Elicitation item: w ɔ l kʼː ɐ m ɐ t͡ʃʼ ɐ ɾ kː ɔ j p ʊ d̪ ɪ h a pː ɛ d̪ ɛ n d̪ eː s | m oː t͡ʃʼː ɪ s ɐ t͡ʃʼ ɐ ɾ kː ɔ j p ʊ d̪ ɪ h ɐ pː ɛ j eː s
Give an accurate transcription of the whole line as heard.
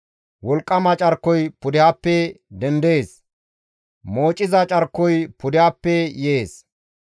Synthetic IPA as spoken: w ɔ l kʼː ɐ m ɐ t͡ʃʼ ɐ ɾ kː ɔ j p ʊ d̪ ɪ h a pː ɛ d̪ ɛ n d̪ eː s | m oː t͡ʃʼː ɪ z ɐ t͡ʃʼ ɐ ɾ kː ɔ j p ʊ d̪ ɪ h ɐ pː ɛ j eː s